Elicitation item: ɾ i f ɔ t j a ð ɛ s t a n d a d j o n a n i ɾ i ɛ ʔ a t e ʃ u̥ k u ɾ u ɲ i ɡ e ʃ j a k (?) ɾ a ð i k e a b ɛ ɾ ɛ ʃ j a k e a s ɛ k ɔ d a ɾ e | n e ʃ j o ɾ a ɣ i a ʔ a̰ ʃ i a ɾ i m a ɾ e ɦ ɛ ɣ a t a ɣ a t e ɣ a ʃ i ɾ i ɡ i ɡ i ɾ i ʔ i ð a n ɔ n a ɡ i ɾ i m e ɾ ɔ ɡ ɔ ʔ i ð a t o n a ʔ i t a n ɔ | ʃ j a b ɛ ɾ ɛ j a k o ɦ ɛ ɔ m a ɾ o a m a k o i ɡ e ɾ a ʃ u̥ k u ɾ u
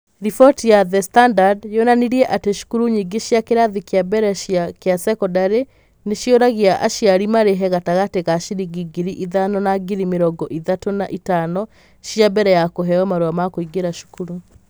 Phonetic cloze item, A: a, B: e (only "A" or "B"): B